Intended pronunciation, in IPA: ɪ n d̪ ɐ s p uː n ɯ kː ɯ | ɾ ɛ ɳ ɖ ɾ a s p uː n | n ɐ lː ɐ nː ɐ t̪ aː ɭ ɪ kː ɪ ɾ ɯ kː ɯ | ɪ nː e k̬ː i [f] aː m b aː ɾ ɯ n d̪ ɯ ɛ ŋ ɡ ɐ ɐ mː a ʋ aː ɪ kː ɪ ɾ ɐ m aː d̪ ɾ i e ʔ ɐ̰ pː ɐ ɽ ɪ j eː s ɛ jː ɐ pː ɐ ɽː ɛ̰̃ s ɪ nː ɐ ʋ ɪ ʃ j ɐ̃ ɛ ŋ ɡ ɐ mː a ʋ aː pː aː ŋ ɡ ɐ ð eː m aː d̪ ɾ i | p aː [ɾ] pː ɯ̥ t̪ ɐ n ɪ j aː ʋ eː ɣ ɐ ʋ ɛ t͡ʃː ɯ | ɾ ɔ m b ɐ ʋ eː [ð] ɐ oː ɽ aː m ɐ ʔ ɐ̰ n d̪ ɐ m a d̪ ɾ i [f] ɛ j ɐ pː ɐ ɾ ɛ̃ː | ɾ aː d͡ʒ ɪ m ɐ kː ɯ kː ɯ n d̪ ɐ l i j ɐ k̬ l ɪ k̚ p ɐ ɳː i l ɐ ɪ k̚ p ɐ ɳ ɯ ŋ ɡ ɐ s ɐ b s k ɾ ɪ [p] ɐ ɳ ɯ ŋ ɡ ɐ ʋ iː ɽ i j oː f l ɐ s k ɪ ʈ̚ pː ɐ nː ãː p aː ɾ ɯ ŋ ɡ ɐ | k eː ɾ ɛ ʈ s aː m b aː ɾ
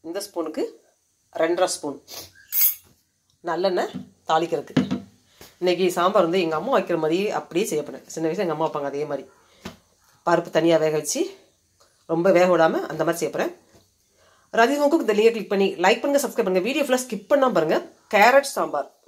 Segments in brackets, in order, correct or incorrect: incorrect: s, correct, incorrect: ɣ, incorrect: s, correct

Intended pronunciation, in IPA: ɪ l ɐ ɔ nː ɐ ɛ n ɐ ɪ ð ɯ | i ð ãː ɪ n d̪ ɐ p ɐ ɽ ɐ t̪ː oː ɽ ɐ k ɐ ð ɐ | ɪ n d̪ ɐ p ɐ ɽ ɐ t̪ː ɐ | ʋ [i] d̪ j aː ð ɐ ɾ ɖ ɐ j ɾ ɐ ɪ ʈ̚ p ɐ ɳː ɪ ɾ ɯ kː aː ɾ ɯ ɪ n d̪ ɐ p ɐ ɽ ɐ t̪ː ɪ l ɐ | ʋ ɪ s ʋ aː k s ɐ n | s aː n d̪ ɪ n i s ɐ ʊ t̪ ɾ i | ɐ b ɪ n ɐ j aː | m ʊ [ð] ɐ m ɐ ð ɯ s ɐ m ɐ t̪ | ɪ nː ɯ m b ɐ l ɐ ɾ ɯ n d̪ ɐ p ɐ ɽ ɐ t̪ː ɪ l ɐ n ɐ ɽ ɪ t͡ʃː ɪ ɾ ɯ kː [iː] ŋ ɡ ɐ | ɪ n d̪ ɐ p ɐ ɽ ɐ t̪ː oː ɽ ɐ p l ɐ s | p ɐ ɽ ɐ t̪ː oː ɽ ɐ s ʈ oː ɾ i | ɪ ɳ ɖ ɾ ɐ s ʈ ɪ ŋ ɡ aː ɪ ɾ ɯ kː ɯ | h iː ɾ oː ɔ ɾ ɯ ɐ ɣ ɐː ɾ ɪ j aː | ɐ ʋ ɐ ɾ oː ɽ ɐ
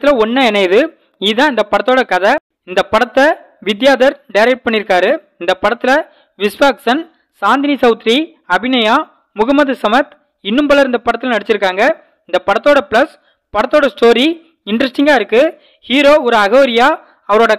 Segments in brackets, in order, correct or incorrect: incorrect: ɪ, incorrect: ɣ, incorrect: aː

